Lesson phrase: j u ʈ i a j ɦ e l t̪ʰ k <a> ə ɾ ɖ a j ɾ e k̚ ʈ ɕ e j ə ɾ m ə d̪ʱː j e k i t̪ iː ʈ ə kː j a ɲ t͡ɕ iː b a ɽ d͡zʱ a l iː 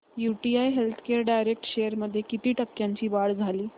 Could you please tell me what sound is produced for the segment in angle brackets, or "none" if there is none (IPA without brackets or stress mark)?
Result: e